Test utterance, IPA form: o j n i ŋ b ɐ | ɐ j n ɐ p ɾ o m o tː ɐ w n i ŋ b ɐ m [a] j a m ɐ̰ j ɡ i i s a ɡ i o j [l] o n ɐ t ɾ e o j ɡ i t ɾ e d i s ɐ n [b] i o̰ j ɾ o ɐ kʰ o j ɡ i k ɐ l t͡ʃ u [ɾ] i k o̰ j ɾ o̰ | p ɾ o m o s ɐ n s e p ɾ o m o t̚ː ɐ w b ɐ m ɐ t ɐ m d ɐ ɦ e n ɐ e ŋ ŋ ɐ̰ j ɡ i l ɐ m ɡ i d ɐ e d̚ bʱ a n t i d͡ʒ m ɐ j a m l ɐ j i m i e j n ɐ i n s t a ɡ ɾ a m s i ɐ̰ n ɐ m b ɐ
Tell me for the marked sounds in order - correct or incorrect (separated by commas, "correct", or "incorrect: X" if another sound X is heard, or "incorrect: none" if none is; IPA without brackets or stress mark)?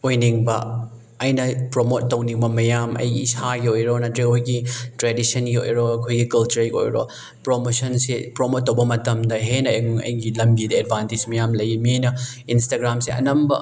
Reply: incorrect: ɐ, incorrect: ɾ, incorrect: ɡ, correct